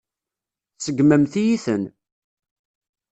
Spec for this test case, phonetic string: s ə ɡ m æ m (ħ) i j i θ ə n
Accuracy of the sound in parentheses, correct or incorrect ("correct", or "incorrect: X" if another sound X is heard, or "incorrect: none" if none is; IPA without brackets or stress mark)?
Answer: incorrect: θ